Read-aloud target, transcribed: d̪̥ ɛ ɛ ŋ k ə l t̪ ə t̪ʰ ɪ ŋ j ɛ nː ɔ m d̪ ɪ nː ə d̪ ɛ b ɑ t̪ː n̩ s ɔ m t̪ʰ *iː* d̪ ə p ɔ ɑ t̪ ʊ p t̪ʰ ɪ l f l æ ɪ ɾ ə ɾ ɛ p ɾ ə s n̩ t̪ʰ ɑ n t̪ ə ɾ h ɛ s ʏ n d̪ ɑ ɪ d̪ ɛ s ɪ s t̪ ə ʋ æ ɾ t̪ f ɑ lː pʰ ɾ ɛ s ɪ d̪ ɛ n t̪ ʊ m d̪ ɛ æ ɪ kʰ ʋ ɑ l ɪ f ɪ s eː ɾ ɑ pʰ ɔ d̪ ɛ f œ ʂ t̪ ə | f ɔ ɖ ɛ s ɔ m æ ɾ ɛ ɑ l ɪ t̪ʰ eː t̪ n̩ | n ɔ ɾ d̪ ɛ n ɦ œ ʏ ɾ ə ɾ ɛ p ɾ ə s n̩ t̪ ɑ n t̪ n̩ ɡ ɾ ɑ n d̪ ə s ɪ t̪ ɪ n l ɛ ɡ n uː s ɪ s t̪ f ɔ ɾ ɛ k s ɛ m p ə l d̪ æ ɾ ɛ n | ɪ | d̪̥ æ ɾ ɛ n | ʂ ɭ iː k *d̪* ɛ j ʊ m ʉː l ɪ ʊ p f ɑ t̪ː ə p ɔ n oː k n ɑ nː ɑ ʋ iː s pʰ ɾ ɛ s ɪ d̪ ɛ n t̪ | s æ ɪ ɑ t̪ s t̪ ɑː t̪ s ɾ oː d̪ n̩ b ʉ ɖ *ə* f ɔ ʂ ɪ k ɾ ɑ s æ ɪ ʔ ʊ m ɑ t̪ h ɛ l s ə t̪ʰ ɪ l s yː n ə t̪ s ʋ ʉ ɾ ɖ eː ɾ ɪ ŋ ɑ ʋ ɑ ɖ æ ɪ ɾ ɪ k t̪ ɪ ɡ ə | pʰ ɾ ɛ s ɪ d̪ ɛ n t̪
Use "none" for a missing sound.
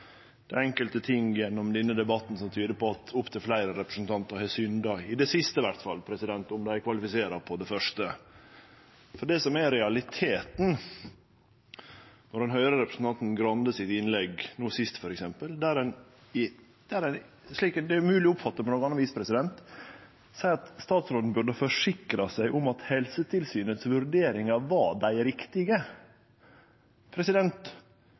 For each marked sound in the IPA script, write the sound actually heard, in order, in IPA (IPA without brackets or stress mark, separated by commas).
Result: yː, d̪, ə